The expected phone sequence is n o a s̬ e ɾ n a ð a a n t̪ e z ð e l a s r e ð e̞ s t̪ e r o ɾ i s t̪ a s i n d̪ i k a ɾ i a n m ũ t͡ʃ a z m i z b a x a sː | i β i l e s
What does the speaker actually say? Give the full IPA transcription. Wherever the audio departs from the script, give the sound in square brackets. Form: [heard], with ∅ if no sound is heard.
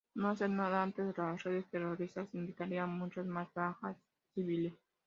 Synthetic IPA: n o a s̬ e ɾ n a ð a a n t̪ e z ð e l a s r e ð e̞ s t̪ e r o ɾ i s t̪ a s i n d̪ i k a ɾ i a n m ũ t͡ʃ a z m [a] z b a x a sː | i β i l e s